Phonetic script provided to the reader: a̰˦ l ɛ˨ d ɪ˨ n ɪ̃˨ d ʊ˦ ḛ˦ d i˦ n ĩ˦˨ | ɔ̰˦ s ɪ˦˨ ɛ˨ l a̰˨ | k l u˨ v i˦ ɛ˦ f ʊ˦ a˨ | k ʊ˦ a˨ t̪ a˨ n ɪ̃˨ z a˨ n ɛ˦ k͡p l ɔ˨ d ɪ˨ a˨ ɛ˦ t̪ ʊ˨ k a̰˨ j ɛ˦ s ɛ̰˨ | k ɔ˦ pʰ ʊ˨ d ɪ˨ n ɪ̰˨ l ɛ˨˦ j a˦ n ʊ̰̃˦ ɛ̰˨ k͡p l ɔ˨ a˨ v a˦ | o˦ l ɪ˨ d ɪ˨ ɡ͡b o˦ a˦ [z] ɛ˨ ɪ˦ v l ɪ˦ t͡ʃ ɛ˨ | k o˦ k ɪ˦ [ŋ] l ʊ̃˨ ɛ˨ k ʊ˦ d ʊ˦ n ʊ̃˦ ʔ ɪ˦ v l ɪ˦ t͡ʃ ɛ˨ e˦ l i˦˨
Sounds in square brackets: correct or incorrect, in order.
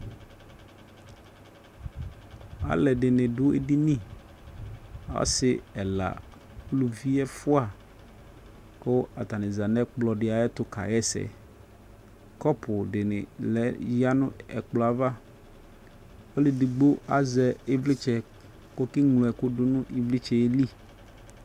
correct, correct

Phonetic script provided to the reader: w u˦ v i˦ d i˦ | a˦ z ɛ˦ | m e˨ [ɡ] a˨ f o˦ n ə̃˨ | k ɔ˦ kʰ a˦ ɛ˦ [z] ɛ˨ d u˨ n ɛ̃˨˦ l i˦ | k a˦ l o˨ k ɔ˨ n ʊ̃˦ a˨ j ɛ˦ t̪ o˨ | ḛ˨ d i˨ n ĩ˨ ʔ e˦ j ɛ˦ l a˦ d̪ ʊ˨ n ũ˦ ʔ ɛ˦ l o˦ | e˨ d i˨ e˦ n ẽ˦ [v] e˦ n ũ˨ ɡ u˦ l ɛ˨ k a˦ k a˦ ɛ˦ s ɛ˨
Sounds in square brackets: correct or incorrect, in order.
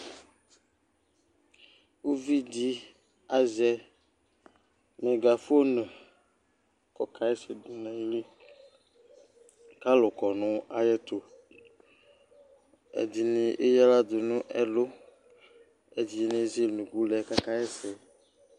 correct, incorrect: s, incorrect: z

